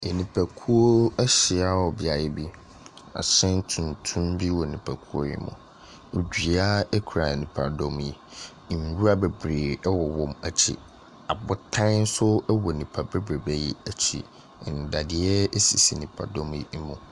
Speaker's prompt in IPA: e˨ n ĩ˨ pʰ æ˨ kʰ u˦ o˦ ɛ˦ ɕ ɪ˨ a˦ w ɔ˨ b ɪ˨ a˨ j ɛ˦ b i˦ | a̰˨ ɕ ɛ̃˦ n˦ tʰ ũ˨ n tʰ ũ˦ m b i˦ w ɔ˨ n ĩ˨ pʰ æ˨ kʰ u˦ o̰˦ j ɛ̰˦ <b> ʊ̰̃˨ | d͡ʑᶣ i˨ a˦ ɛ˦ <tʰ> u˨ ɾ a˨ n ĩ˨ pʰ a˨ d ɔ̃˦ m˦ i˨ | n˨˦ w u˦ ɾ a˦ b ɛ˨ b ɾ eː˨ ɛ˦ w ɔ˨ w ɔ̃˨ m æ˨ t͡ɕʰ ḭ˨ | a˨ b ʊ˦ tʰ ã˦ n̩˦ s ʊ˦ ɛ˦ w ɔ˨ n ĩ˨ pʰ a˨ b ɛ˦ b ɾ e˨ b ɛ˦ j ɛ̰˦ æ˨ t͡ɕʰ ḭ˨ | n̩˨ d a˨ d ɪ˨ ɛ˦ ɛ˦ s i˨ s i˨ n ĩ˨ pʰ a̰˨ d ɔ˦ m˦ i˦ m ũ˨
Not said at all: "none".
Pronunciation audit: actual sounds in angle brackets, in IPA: m, kʰ

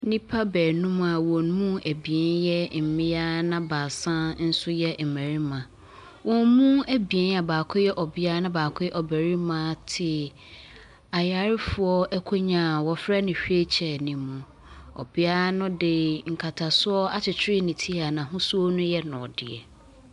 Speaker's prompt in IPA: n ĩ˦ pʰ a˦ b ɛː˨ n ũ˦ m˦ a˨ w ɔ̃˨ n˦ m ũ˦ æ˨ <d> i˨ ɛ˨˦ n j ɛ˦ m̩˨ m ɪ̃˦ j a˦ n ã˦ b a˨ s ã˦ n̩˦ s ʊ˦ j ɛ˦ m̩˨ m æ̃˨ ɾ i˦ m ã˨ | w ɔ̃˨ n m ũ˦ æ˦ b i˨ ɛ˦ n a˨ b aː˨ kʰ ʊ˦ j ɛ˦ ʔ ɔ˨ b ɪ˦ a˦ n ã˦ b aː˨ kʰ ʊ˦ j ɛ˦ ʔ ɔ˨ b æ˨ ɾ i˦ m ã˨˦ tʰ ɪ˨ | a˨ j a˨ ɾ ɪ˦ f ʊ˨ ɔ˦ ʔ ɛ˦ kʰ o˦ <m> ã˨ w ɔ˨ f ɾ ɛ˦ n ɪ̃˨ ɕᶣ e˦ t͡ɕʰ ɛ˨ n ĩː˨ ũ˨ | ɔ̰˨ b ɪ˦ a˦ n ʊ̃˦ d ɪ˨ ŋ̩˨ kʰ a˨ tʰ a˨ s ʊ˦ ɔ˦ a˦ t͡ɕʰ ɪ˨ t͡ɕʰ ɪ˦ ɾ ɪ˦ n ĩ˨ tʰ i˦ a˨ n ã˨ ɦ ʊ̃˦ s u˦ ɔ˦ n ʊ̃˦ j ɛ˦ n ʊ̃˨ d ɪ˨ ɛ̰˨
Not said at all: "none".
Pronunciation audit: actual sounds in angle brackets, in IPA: b, ɲ

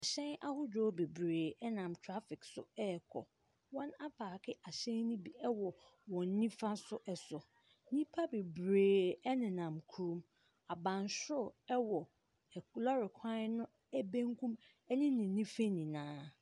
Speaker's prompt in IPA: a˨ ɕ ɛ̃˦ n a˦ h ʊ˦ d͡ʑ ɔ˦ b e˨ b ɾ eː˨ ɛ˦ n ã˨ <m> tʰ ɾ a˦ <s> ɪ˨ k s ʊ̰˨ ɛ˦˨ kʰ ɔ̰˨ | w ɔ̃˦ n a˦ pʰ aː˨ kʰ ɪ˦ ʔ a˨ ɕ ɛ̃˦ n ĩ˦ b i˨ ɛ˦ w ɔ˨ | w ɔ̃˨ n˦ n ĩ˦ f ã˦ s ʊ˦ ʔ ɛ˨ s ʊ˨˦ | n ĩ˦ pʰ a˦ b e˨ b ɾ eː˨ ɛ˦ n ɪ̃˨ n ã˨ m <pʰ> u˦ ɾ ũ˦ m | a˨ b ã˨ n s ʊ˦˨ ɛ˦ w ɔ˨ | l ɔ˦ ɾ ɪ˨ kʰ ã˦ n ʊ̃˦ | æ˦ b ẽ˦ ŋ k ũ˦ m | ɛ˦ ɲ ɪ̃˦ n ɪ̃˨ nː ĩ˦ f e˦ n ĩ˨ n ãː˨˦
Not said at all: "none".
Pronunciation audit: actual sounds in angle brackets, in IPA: m, f, kʰ

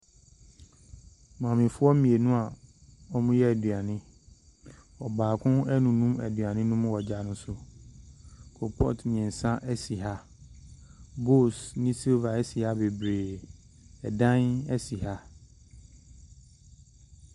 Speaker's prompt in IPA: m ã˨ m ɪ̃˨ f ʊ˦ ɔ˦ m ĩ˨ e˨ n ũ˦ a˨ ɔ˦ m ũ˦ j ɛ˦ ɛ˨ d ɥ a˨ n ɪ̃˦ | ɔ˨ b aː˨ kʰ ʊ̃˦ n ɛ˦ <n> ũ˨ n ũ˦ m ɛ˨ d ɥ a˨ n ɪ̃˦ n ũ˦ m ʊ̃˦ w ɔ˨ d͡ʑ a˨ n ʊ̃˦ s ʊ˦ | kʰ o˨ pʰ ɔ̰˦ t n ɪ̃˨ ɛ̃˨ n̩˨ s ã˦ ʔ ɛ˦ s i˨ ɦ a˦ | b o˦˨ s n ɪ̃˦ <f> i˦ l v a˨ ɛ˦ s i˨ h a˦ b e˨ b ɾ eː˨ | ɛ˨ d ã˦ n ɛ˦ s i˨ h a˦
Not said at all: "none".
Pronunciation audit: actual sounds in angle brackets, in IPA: n, s

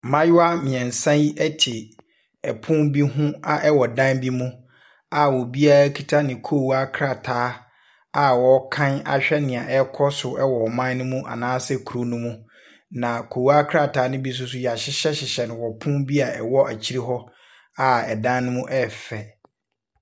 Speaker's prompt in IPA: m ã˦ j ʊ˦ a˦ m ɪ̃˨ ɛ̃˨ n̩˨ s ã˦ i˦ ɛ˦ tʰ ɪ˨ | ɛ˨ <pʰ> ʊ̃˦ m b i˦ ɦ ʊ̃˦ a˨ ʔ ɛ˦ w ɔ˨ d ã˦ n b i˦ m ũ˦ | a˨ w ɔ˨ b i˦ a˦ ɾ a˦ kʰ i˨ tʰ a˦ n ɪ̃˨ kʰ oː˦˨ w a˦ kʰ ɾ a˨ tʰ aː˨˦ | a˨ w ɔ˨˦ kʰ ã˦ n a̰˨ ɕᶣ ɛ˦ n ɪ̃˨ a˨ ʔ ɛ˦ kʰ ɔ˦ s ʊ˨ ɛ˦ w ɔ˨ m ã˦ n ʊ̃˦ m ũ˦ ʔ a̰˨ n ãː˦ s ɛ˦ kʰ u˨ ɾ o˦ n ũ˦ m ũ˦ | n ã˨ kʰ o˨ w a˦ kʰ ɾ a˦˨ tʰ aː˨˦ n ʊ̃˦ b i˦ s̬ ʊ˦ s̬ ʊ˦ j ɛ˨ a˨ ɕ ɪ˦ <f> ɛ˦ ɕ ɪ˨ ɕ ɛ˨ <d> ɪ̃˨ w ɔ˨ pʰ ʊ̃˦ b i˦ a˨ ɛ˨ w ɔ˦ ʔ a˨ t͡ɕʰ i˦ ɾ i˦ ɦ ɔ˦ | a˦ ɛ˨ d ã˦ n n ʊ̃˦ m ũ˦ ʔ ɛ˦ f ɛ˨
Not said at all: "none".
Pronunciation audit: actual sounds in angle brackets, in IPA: pʰ, ɕ, n

